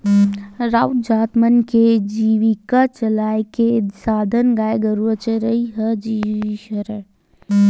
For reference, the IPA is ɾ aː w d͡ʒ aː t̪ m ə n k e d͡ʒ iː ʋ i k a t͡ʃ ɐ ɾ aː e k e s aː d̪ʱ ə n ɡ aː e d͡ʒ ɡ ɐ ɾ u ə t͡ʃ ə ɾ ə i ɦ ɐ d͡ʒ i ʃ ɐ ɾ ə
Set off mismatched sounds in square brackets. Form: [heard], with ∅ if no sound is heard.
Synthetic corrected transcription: ɾ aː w d͡ʒ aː t̪ m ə n k e d͡ʒ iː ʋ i k a t͡ʃ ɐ [l] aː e k e s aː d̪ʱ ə n ɡ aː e [∅] ɡ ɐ ɾ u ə t͡ʃ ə ɾ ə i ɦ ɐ d͡ʒ i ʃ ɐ ɾ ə